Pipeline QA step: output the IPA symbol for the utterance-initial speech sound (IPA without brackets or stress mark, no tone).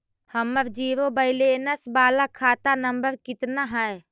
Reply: h